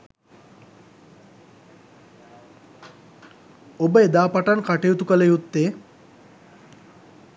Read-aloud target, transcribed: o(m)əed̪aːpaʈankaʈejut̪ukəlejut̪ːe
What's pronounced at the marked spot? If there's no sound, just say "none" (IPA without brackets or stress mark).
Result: b